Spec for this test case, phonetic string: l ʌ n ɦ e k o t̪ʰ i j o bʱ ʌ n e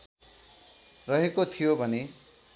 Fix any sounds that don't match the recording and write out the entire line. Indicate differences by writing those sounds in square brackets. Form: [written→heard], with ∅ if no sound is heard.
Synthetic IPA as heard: [l→r] ʌ [n→∅] ɦ e k o t̪ʰ i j o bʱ ʌ n e